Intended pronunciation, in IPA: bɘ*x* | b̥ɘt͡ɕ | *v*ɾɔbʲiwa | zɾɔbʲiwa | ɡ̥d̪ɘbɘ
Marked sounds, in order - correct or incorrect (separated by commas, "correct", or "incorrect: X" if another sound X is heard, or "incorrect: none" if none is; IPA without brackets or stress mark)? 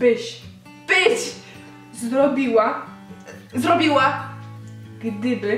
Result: incorrect: ɕ, incorrect: z